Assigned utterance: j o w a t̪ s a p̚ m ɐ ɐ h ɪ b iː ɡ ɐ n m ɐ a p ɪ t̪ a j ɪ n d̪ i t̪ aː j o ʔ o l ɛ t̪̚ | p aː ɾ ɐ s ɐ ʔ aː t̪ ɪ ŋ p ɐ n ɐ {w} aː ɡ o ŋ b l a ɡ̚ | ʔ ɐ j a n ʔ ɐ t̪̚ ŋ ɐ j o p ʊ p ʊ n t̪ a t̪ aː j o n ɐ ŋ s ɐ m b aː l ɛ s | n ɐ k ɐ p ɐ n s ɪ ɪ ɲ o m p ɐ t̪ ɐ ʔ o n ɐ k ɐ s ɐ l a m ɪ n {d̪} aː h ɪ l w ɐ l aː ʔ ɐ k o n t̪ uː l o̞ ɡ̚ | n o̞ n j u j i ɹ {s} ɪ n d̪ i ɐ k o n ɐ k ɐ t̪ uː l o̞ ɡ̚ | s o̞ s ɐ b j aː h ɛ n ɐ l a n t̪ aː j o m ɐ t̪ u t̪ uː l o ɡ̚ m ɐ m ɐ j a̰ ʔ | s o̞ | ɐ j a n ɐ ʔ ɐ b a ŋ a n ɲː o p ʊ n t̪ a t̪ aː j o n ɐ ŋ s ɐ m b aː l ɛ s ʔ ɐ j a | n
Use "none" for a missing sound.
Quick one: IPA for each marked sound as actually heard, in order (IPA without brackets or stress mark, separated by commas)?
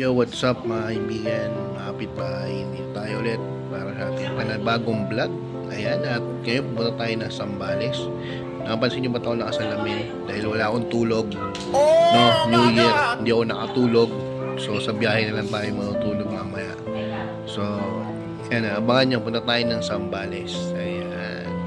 b, d̪, h